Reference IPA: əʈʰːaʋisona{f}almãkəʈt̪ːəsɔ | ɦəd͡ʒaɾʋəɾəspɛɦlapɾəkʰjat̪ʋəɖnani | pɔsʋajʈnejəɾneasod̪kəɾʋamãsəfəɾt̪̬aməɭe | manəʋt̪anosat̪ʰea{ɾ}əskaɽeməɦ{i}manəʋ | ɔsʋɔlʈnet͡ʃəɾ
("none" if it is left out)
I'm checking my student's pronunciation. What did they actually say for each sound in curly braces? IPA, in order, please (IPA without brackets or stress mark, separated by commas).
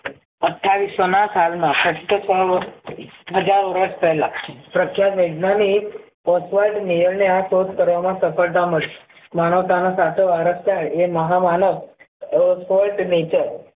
s, ɾ, a